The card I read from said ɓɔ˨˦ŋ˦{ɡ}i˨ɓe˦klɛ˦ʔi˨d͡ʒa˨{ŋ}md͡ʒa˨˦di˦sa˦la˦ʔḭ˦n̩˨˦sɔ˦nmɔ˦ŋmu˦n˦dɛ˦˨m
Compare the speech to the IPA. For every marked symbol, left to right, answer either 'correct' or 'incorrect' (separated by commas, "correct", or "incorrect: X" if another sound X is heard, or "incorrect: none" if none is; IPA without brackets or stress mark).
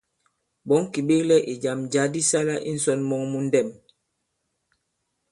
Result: incorrect: k, incorrect: none